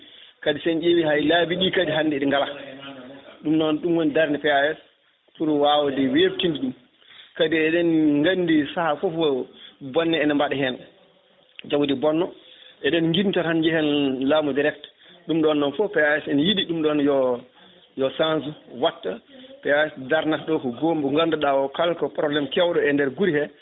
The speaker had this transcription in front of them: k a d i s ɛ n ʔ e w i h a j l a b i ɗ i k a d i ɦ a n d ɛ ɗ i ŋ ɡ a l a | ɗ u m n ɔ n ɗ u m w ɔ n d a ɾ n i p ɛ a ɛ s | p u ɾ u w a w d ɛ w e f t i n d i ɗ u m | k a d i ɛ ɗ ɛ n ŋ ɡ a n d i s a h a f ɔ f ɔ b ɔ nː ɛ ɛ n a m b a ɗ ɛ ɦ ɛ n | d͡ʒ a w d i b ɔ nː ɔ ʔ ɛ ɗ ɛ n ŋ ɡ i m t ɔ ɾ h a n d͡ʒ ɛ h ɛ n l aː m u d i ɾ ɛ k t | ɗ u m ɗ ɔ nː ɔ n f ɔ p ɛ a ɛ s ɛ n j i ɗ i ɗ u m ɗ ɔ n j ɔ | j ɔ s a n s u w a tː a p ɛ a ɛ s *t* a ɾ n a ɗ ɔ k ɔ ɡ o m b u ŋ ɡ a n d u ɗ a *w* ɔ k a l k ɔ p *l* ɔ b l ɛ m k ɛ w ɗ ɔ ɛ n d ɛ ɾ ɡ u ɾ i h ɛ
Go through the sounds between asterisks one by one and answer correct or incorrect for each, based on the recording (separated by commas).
incorrect, correct, incorrect